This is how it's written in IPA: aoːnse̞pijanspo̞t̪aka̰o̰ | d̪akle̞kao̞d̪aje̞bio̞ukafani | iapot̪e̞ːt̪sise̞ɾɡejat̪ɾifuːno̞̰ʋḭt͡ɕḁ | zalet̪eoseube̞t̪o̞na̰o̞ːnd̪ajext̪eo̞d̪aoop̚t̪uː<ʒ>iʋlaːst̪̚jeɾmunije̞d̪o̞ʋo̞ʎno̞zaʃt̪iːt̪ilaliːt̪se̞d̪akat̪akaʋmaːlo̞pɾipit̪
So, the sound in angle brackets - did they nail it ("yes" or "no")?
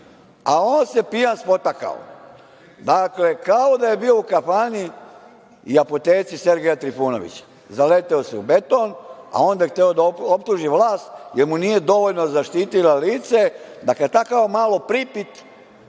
yes